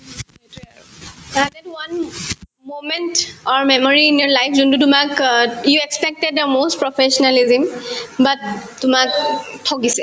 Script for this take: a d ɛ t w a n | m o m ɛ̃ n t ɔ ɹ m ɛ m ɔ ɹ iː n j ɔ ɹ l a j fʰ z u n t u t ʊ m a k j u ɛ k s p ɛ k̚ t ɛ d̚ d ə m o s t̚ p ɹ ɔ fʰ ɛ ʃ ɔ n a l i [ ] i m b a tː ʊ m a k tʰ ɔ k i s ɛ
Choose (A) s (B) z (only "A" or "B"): B